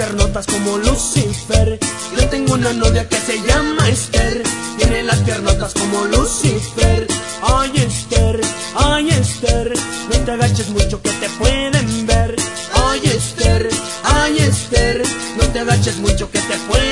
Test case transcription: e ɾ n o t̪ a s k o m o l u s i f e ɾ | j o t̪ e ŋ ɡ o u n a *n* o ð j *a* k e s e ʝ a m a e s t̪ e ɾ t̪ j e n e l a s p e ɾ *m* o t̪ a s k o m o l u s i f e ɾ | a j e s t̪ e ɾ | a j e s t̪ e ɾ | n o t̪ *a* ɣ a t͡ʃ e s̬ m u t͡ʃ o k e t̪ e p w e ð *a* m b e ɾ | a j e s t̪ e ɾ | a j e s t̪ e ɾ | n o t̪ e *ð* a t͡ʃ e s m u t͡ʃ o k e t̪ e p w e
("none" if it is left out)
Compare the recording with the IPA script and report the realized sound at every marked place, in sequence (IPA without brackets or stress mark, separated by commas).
n, a, n, e, e, ɣ